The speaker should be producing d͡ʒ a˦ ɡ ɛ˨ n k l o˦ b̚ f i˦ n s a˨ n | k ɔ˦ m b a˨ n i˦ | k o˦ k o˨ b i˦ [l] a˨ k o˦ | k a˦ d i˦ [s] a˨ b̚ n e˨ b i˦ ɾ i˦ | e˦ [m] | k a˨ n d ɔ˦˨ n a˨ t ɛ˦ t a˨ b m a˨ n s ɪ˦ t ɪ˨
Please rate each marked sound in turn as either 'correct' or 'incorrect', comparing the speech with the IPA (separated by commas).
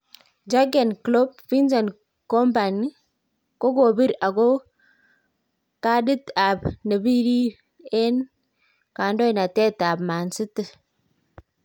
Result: incorrect, incorrect, incorrect